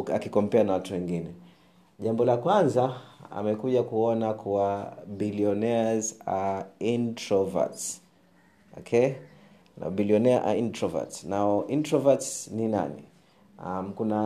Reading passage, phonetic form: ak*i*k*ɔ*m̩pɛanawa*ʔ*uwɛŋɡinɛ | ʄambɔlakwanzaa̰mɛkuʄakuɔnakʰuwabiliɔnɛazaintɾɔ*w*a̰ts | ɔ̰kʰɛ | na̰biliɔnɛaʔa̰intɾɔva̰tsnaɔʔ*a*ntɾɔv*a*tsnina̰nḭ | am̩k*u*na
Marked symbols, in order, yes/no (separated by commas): yes, yes, no, no, no, yes, yes